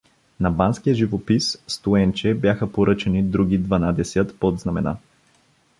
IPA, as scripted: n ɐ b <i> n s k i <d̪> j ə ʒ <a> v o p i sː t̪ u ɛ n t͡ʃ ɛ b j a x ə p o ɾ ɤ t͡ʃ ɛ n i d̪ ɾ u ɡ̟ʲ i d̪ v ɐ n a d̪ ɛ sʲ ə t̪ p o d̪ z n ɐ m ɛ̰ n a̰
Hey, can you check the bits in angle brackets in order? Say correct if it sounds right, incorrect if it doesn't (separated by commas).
incorrect, incorrect, incorrect